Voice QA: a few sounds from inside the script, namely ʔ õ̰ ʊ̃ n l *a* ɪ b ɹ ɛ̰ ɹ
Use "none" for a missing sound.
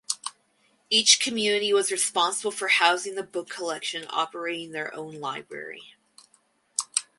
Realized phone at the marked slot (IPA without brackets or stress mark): a